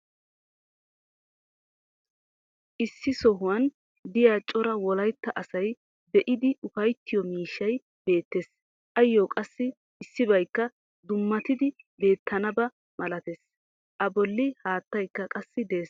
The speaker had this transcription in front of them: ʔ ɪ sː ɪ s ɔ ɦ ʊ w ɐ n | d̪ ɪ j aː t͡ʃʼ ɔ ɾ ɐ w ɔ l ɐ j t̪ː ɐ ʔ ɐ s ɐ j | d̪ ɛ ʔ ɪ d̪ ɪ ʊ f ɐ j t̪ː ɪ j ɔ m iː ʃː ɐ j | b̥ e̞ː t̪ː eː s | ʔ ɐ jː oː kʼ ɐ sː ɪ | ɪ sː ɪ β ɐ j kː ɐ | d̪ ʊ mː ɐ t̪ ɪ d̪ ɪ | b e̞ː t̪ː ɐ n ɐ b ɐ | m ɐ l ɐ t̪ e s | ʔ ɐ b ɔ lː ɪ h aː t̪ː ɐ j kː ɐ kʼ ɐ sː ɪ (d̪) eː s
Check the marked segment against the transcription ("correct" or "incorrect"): correct